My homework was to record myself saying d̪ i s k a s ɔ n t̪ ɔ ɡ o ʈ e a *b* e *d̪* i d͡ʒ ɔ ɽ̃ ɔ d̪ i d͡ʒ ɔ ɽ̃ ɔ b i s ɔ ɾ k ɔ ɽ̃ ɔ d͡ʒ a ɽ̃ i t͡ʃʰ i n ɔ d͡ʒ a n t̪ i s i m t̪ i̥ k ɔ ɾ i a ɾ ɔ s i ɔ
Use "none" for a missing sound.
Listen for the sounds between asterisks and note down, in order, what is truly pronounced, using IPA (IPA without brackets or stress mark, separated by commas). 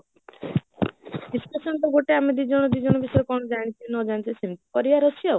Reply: m, d̪